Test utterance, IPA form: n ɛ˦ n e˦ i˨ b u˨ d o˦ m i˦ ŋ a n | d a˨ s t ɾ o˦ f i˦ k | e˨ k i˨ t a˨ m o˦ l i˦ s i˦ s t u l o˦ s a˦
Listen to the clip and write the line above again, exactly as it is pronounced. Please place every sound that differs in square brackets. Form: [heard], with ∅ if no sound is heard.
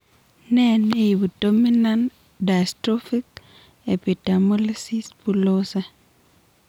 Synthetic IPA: n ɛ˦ n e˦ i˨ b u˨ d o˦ m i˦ [n] a n | d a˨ s t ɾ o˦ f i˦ k | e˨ [p] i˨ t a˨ m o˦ l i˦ s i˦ s [p] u l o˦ s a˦